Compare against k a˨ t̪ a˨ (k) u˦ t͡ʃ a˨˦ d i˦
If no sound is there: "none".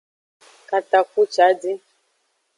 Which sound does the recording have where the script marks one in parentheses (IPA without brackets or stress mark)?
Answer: k